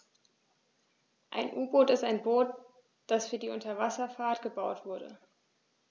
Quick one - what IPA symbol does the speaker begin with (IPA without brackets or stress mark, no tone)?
ʔ